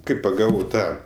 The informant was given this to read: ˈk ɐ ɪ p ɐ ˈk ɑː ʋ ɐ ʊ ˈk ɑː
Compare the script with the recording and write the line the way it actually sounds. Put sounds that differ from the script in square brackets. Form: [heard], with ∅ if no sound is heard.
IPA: ˈk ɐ ɪ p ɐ [ˈɡ] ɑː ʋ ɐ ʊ [ˈt] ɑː